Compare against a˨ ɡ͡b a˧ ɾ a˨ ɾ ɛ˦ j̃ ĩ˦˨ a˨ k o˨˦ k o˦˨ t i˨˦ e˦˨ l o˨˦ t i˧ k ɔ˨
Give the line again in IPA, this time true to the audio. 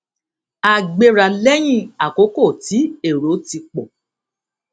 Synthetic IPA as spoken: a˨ ɡ͡b e˧ ɾ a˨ l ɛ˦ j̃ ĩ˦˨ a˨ k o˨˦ k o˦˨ t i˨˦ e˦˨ ɾ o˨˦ t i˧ k͡p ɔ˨